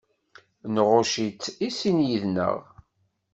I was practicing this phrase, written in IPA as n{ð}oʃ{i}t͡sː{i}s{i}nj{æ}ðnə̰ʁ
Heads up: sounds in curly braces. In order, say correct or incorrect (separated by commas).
incorrect, correct, correct, correct, incorrect